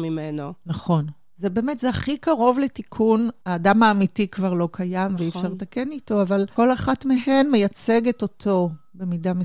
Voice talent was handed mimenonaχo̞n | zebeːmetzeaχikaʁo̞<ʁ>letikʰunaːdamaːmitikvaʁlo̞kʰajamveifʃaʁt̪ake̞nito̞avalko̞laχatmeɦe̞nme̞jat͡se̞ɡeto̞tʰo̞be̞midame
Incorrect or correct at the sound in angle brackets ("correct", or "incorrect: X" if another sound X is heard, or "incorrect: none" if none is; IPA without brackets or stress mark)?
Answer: incorrect: v